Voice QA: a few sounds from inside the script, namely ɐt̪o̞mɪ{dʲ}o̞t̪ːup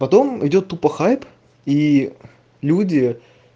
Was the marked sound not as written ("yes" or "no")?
no